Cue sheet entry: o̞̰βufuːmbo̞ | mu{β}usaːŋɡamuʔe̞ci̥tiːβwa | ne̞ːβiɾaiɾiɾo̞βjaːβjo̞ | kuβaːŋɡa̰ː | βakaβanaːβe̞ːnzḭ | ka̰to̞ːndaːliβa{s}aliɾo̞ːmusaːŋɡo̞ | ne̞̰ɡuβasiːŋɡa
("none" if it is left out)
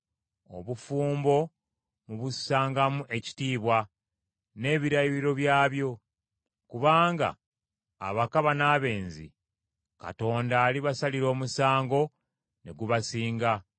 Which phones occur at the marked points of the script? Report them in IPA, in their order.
β, s

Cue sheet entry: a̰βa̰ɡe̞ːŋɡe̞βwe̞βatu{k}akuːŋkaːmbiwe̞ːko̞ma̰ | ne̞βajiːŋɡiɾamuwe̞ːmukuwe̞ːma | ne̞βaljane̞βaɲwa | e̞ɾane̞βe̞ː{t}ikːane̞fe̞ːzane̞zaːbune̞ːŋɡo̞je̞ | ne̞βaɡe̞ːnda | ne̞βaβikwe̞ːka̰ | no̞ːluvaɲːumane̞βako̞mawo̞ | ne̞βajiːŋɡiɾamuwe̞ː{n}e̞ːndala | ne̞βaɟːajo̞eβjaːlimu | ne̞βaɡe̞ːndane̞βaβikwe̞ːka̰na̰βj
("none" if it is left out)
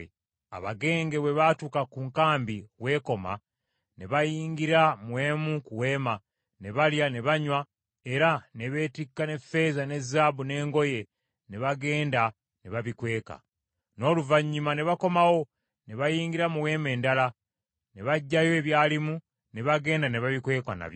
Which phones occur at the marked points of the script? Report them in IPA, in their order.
k, t, m

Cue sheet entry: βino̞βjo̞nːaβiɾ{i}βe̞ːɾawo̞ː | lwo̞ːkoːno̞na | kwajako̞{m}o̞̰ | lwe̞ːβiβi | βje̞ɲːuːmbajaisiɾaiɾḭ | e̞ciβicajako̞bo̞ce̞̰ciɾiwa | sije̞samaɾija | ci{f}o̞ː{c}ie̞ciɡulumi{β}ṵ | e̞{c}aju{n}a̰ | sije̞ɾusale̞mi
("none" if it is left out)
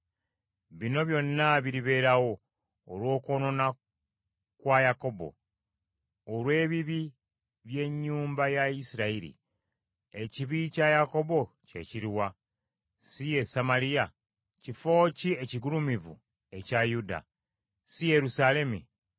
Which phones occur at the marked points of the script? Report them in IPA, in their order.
i, b, f, c, v, c, d

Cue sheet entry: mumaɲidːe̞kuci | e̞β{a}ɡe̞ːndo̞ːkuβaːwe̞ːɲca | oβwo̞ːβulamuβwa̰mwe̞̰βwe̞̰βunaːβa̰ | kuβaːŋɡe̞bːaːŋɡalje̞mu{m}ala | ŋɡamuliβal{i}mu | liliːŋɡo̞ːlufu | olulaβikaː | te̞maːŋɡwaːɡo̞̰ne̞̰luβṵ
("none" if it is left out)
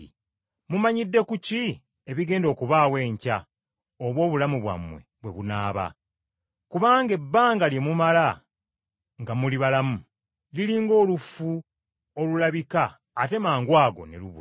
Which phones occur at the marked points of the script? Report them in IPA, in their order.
i, m, a

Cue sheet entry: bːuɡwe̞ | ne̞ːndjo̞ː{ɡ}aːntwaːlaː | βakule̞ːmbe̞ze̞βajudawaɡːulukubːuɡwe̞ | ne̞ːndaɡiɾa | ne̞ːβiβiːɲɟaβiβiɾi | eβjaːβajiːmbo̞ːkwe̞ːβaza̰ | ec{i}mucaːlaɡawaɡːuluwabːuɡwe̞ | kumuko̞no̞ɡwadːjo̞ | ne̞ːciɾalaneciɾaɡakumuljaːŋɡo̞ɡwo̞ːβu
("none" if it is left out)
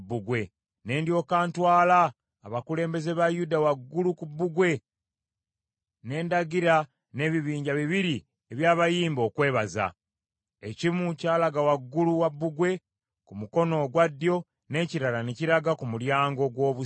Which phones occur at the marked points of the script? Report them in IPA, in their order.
k, i

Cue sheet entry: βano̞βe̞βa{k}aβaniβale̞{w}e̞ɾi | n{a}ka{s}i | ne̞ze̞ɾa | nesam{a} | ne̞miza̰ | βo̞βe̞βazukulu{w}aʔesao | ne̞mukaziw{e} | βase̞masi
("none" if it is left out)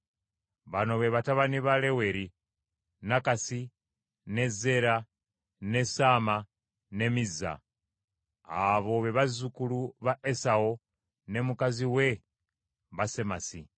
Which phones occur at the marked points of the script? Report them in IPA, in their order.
t, w, a, s, a, β, e

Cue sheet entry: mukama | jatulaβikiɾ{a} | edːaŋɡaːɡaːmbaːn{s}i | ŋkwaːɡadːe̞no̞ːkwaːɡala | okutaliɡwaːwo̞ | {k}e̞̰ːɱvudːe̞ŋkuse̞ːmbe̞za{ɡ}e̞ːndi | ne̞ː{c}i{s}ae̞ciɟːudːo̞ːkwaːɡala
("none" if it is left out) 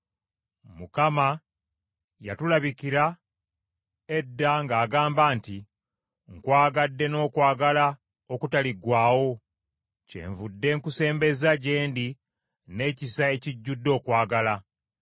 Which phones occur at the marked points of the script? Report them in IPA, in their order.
a, t, c, ɟ, c, s

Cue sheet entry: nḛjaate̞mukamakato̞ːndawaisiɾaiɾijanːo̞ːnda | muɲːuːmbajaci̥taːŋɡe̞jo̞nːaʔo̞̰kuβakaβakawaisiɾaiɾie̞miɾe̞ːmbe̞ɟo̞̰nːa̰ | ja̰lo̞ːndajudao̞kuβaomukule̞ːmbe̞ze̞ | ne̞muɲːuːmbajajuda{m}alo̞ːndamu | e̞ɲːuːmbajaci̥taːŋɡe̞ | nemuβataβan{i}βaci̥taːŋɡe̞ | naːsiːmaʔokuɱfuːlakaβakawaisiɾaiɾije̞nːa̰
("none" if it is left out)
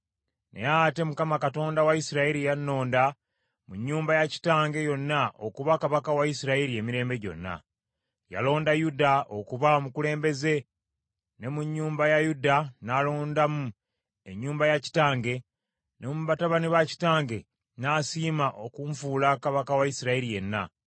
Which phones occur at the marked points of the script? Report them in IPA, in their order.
n, i

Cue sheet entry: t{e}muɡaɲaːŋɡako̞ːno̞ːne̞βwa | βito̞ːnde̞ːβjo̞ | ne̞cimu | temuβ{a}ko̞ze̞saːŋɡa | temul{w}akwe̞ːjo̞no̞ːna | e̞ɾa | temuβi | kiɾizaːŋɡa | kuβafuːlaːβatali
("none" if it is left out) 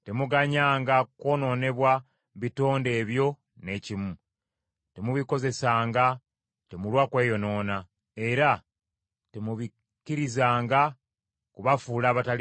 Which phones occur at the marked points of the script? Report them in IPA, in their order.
e, i, w

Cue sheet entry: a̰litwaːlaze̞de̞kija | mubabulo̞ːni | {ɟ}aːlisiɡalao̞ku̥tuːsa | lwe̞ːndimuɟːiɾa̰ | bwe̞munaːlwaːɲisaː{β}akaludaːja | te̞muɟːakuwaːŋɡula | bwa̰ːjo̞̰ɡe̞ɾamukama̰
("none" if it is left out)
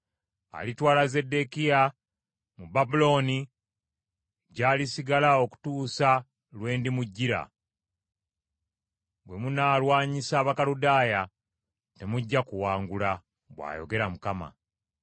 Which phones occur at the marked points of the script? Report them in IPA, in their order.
ɟ, β

